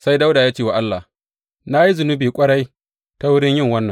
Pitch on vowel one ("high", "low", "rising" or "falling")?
high